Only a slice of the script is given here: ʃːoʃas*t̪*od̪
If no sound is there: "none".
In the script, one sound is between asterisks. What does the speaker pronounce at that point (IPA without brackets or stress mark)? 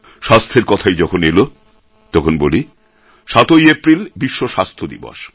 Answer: t̪ʰ